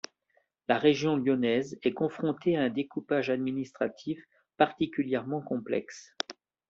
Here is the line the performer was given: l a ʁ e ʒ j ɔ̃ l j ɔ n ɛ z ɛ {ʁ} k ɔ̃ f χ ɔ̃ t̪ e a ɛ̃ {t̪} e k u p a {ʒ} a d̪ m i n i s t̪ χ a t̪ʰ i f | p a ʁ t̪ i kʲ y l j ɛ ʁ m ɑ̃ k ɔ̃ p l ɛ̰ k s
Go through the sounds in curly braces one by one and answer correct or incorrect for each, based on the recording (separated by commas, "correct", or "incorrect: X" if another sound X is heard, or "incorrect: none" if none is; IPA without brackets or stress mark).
incorrect: none, incorrect: d̪, correct